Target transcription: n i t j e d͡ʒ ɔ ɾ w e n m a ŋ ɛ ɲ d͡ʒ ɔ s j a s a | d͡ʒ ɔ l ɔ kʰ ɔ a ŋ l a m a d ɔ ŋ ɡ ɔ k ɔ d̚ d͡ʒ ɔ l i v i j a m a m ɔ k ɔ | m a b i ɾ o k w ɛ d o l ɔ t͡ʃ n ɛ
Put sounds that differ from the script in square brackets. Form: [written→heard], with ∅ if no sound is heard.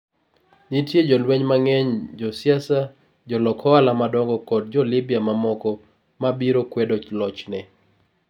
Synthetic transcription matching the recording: n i t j e d͡ʒ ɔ [ɾ→l] w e [n→ɲ] m a ŋ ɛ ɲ d͡ʒ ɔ s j a s a | d͡ʒ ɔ l ɔ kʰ ɔ a [ŋ→∅] l a m a d ɔ ŋ ɡ ɔ k ɔ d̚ d͡ʒ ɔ l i [v→b] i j a m a m ɔ k ɔ | m a b i ɾ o k w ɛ d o l ɔ t͡ʃ n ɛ